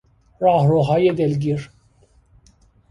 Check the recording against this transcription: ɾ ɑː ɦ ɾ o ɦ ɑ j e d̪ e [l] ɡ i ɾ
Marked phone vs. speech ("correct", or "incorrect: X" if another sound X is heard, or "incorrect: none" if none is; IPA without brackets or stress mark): correct